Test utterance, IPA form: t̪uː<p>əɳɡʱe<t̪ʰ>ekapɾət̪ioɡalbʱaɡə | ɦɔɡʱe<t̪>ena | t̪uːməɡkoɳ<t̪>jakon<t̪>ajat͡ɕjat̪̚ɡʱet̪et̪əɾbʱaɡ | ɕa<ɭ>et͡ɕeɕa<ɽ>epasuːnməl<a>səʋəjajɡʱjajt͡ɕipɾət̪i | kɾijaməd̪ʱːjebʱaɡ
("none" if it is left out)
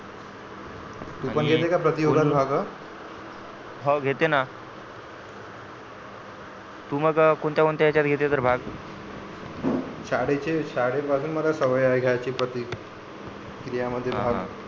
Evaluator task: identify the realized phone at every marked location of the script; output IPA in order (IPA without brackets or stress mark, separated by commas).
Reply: p, t̪, t̪, t̪, t̪, ɽ, ɽ, a